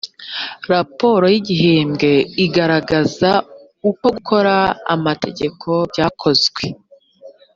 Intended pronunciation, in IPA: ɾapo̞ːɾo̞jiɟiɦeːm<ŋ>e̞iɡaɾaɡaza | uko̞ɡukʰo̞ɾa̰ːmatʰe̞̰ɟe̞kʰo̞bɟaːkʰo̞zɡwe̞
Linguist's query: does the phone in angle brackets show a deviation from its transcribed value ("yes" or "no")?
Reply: yes